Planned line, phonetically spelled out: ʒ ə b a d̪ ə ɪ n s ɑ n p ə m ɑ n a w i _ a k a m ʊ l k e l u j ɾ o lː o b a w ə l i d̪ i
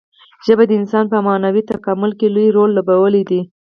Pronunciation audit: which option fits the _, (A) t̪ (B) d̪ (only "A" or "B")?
A